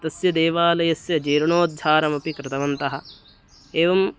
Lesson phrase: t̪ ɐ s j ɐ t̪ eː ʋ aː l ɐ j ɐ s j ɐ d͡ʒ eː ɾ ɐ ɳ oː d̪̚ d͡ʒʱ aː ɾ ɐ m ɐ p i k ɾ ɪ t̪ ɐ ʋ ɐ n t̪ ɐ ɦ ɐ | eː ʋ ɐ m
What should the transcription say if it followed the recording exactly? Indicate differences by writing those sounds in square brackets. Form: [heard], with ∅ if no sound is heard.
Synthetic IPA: t̪ ɐ s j ɐ [d̪] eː ʋ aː l ɐ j ɐ s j ɐ d͡ʒ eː ɾ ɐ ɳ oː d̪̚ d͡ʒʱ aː ɾ ɐ m ɐ p i k ɾ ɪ t̪ ɐ ʋ ɐ n t̪ ɐ ɦ ɐ | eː ʋ ɐ m